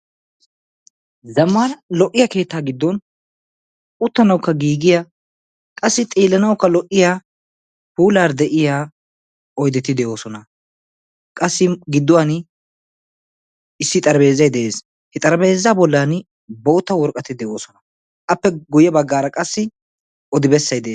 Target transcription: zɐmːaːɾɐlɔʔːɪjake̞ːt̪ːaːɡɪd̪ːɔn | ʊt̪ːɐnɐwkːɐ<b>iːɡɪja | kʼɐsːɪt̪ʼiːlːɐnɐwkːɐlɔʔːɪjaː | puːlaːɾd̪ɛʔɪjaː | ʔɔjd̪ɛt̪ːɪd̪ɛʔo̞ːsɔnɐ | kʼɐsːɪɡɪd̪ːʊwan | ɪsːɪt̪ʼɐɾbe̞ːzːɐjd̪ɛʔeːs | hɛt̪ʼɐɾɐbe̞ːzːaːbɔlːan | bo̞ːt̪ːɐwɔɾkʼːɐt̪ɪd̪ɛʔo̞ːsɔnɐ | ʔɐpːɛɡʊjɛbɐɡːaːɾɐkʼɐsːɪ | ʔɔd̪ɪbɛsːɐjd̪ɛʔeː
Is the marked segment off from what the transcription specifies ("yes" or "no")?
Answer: yes